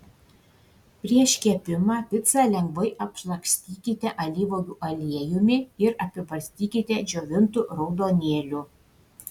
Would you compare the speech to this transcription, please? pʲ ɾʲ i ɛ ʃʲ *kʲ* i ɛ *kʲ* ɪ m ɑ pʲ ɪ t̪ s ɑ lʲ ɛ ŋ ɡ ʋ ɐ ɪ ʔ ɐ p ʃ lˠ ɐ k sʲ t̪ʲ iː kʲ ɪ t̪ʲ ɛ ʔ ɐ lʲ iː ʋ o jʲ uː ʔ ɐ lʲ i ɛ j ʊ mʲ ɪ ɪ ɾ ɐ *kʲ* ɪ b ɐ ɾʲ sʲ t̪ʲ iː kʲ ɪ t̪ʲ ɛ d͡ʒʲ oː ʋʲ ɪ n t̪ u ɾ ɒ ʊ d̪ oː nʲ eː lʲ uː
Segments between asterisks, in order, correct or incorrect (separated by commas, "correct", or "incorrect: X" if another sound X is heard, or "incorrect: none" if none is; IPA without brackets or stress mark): correct, incorrect: pʲ, incorrect: pʲ